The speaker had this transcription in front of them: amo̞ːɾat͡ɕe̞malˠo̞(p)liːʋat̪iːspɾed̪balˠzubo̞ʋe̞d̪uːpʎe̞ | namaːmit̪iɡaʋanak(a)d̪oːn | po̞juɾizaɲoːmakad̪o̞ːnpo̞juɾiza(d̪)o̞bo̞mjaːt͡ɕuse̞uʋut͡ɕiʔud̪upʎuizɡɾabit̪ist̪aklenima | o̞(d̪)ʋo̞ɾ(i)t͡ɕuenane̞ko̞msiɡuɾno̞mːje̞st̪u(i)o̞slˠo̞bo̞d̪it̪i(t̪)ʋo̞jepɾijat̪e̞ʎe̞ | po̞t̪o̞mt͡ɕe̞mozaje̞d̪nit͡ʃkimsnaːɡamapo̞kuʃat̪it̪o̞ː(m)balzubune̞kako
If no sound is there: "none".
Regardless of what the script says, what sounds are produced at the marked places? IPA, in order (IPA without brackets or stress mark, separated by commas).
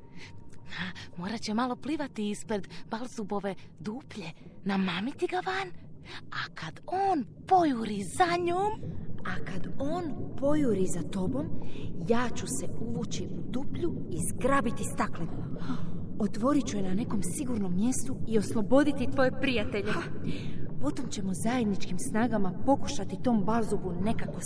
p, a, t̪, t̪, i, i, t̪, m